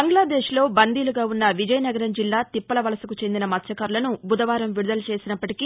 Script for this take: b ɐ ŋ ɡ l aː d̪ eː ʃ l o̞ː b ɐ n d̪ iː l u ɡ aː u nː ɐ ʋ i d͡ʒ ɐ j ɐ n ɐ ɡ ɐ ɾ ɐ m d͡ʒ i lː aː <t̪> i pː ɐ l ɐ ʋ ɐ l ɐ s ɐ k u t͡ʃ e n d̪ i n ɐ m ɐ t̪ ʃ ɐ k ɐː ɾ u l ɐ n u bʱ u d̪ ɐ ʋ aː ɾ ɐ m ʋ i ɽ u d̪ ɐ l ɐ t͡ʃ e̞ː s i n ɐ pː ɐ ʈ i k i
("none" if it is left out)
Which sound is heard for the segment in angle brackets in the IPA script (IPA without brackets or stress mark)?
t̪